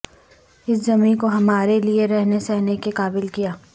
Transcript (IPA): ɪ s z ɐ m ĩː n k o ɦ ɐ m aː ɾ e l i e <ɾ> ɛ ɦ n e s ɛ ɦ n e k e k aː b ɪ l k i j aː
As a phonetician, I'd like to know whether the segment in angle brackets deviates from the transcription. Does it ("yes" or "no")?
no